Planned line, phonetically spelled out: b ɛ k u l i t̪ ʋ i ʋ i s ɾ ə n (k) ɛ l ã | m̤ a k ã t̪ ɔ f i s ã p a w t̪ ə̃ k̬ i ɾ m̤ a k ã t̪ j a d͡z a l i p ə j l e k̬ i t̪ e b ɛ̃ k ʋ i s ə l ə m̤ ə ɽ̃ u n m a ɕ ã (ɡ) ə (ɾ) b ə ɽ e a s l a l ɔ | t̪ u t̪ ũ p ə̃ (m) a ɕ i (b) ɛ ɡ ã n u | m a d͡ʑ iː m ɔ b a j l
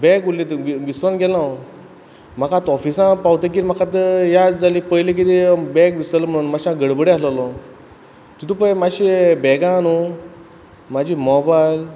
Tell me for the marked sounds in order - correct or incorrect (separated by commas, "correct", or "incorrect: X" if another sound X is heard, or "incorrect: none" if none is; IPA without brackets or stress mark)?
incorrect: ɡ, correct, incorrect: ɽ, correct, correct